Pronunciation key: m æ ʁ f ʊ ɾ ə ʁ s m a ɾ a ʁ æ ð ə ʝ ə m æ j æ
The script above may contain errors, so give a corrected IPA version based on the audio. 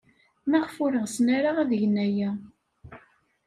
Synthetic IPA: m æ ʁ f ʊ ɾ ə ʁ s n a ɾ a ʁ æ ð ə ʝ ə n æ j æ